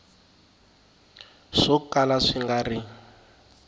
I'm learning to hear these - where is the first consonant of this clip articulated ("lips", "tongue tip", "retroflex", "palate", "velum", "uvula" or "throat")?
retroflex